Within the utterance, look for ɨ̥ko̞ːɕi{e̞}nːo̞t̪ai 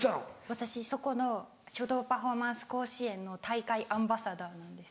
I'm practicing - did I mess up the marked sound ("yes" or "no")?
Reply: yes